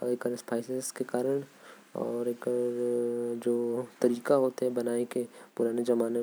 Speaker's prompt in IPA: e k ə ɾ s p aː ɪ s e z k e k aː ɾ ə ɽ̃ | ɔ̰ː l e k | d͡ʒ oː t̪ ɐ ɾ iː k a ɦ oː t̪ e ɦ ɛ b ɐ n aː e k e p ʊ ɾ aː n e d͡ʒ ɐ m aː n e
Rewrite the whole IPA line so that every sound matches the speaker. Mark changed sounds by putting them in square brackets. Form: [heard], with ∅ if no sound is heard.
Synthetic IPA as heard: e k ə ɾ s p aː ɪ s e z k e k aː ɾ ə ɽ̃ | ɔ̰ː [ɾ] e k | d͡ʒ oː t̪ ɐ ɾ iː k a ɦ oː t̪ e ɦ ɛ b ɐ n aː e k e p ʊ ɾ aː n e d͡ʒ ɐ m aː n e